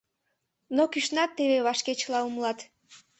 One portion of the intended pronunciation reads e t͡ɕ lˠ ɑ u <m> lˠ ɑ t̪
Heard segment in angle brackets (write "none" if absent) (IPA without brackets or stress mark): m